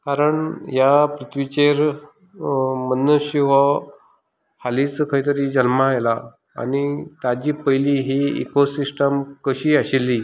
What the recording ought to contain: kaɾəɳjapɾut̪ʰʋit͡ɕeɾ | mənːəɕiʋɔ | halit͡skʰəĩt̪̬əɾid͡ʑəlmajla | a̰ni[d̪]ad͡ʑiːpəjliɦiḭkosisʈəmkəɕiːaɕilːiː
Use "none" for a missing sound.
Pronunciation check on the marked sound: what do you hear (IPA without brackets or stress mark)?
t̪